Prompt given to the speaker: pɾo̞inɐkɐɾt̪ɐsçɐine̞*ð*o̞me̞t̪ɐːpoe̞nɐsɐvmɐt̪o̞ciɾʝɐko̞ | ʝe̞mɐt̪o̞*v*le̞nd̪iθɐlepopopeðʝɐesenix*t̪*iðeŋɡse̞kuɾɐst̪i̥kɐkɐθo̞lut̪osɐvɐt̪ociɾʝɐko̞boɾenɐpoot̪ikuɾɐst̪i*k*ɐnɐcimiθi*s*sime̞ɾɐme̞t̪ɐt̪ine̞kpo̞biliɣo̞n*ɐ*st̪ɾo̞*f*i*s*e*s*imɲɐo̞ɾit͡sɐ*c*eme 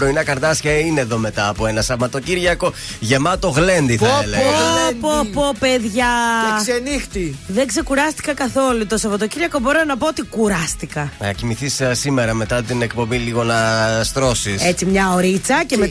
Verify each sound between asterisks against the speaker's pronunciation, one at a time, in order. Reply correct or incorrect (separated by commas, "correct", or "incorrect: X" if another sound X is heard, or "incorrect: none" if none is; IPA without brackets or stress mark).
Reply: correct, incorrect: ɣ, correct, correct, correct, correct, incorrect: s, correct, incorrect: t͡s, correct